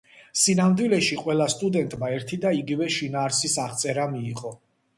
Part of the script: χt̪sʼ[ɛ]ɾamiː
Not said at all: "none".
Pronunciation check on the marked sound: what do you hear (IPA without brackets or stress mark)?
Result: ɛ